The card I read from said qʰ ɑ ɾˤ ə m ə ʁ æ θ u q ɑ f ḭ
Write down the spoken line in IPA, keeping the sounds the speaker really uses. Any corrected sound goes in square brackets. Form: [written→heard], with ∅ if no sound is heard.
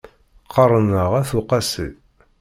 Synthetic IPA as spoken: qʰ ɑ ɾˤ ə [m→n] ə ʁ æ θ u q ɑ [f→s] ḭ